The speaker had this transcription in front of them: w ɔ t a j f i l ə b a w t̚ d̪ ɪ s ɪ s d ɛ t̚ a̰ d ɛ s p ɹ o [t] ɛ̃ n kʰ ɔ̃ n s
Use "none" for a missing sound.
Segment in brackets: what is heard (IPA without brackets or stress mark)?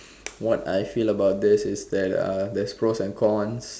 s